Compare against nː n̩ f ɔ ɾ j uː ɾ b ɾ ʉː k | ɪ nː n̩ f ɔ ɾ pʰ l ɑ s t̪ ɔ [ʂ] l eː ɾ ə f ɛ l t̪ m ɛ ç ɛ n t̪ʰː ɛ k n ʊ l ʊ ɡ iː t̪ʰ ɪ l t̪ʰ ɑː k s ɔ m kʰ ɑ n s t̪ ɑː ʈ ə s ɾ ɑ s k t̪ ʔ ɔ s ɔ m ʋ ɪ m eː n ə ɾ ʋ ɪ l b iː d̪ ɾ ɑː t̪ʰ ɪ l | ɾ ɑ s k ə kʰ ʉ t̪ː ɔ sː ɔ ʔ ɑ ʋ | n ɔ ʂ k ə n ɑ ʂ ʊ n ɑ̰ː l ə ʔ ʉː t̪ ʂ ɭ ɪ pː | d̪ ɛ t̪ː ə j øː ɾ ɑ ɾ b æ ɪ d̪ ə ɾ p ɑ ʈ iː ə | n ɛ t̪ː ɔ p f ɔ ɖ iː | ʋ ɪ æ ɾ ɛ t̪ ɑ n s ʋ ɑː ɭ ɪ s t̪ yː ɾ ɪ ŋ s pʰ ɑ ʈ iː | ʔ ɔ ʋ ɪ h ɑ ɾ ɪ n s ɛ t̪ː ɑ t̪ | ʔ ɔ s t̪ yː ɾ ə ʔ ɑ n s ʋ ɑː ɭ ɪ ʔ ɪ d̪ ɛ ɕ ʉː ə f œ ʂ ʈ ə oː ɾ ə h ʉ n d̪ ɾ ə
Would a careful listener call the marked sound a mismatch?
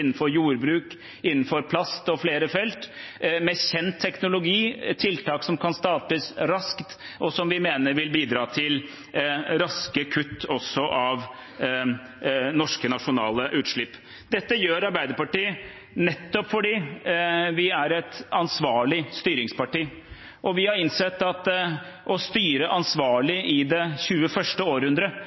yes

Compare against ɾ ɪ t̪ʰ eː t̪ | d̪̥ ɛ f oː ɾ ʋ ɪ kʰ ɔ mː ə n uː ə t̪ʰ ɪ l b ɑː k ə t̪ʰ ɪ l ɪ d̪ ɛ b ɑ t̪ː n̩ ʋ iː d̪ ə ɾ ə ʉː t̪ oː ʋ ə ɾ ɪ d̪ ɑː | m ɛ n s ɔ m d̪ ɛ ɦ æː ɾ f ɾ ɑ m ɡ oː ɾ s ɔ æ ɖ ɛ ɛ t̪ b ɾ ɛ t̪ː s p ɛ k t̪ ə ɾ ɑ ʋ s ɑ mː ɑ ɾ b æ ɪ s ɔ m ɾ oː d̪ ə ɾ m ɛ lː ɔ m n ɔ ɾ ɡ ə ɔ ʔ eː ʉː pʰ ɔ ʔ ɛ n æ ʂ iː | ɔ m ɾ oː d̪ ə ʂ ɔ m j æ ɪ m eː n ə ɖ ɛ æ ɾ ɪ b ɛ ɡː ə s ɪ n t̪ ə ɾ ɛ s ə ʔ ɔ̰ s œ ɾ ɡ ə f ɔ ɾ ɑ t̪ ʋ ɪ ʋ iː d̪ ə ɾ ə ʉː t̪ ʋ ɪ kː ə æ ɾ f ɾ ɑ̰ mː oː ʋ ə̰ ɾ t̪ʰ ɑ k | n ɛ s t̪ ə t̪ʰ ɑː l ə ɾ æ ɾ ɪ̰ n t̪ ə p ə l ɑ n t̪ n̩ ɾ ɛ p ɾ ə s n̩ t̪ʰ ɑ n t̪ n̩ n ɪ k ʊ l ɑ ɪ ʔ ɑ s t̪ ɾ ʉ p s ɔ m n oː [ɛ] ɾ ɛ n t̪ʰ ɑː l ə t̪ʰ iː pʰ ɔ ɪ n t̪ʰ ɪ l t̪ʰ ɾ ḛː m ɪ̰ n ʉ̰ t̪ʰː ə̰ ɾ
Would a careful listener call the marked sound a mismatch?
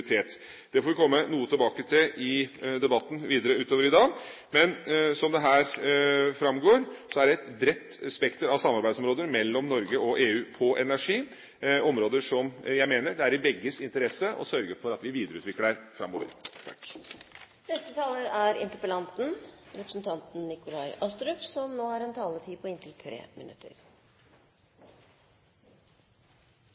yes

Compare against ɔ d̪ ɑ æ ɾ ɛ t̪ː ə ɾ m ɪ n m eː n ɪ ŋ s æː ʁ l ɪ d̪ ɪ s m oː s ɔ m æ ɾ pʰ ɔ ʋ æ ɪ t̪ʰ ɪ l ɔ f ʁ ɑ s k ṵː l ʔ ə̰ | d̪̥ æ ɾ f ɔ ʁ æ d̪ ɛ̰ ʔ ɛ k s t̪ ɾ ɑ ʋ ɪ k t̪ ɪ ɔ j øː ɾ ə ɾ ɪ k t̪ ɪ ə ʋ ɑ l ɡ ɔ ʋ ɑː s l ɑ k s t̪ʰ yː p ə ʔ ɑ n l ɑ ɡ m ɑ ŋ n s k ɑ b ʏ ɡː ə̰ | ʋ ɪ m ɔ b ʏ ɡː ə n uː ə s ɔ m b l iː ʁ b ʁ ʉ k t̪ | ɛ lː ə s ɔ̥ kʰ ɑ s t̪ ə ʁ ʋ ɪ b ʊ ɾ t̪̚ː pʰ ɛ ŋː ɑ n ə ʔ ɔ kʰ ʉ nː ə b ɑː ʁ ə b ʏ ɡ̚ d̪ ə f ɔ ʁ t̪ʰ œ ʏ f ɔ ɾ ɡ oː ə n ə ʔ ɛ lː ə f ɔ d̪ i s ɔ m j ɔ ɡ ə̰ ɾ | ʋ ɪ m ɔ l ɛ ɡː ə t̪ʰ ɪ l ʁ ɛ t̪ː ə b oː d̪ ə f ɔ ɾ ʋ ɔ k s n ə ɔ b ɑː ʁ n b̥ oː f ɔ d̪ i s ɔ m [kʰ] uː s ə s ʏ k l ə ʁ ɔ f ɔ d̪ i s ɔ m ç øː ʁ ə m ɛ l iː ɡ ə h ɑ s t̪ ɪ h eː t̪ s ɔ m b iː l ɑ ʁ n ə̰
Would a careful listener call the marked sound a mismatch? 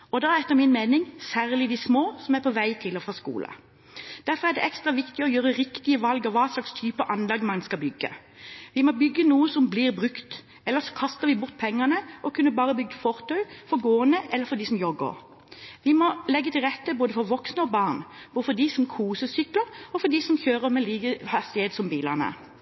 no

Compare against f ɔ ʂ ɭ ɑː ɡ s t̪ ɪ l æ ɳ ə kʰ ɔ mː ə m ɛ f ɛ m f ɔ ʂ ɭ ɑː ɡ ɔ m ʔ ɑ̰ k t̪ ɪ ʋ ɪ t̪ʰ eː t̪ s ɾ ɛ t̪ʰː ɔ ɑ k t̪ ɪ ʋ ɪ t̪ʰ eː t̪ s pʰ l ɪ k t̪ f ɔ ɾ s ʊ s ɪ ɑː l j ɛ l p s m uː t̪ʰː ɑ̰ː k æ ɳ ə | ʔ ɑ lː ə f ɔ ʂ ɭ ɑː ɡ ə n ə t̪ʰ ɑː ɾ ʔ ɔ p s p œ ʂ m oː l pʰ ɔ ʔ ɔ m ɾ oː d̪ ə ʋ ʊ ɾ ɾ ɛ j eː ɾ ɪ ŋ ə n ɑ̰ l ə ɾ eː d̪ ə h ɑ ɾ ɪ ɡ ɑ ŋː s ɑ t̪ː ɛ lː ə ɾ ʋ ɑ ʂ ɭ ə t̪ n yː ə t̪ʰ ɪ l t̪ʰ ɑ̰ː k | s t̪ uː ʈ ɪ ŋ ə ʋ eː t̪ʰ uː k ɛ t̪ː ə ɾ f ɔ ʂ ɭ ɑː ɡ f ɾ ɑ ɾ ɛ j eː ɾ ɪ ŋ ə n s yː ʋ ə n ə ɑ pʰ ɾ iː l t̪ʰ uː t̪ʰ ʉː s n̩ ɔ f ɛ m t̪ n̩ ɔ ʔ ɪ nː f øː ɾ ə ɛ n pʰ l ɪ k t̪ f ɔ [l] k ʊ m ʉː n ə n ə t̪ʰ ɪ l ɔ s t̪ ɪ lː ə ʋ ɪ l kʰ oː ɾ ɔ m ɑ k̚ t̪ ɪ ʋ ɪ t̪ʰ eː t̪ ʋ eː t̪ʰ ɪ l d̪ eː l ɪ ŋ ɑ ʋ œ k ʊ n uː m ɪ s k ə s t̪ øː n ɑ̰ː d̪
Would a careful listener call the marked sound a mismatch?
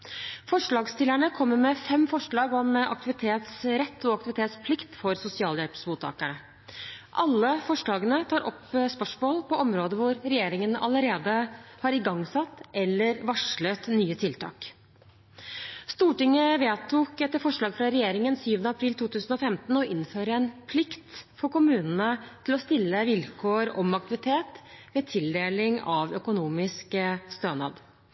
yes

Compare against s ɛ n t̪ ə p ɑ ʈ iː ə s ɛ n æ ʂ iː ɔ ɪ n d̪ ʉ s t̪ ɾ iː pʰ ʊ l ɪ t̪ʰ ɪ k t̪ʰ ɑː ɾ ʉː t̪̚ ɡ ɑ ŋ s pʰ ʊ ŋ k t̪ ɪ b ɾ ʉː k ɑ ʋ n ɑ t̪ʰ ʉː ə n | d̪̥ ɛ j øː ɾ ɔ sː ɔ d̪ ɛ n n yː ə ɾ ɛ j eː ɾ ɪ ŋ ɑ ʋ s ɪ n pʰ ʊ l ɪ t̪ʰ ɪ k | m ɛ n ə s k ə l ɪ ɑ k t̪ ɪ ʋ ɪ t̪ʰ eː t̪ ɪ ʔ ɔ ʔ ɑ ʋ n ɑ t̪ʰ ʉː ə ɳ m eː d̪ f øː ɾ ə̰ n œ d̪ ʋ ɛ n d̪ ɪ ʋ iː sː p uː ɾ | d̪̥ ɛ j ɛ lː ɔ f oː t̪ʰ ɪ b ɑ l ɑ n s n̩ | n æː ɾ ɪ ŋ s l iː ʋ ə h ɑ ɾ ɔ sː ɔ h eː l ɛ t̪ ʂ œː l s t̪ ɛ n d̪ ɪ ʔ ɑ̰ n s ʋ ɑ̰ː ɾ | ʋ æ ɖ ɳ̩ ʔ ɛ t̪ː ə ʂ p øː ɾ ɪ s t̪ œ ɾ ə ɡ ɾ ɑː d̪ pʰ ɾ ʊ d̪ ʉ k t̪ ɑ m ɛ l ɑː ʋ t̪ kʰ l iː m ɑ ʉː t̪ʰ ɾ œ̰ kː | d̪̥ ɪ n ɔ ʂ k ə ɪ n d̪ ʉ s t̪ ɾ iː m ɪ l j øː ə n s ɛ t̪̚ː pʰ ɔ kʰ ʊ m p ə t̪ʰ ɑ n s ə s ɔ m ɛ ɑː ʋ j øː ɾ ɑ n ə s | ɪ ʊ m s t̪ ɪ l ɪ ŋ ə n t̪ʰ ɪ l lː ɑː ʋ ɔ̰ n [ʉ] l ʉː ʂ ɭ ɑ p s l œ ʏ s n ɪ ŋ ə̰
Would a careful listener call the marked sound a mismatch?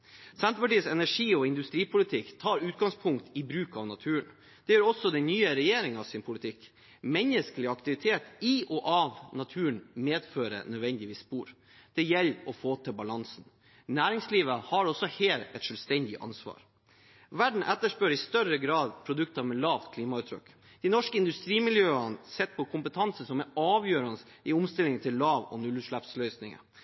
no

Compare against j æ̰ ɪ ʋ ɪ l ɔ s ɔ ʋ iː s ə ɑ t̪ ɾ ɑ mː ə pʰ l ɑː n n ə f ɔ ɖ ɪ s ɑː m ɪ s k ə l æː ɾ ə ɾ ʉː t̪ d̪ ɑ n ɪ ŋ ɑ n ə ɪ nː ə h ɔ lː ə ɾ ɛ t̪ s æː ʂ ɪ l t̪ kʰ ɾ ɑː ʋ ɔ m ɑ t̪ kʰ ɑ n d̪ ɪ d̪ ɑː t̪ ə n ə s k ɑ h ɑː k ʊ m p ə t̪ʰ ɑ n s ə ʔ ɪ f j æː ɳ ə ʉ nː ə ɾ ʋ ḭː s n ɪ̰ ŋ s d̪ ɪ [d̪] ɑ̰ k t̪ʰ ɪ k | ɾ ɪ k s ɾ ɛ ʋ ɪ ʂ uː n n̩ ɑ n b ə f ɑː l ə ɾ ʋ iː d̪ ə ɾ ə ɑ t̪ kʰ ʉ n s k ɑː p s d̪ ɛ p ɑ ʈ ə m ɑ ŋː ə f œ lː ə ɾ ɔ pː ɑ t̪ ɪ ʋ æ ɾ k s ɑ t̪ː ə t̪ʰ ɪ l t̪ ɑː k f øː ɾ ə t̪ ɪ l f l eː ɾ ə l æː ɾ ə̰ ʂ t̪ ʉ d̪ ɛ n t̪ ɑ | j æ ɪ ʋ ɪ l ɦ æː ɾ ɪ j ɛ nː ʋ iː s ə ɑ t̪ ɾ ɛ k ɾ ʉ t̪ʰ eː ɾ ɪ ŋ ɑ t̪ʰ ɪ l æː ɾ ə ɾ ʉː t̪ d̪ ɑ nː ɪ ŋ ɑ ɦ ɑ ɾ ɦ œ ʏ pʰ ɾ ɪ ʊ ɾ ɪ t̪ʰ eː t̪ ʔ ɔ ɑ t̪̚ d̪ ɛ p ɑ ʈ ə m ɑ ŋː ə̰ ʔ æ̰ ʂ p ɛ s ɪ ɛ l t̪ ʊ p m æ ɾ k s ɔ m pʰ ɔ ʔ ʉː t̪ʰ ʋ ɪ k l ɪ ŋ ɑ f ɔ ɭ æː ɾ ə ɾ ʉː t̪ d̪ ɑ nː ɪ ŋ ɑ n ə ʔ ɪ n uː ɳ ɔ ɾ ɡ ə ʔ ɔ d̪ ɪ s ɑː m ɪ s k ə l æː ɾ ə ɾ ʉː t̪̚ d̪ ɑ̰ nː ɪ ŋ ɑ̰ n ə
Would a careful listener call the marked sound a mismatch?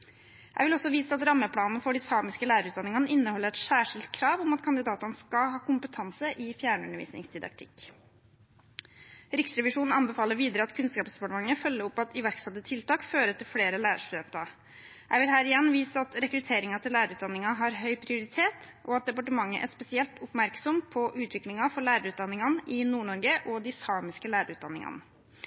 no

